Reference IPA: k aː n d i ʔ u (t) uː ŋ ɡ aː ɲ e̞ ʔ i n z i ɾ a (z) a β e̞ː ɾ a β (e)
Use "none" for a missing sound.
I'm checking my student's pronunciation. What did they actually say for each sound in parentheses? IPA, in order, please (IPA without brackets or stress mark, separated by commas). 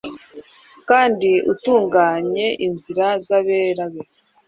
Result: t, z, e